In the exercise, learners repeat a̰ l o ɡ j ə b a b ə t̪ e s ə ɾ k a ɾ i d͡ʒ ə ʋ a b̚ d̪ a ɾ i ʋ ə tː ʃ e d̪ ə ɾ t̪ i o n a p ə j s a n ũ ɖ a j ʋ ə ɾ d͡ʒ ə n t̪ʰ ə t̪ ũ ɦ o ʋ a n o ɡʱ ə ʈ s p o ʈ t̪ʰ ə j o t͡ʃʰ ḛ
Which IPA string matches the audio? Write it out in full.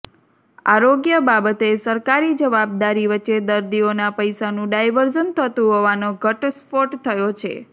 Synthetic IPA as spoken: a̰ ɾ o ɡ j ə b a b ə t̪ e s ə ɾ k a ɾ i d͡ʒ ə ʋ a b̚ d̪ a ɾ i ʋ ə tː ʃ e d̪ ə ɾ d̪ i o n a p ə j s a n ũ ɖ a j ʋ ə ɾ d͡ʒ ə n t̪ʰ ə t̪ ũ ɦ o ʋ a n o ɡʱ ə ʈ s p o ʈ t̪ʰ ə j o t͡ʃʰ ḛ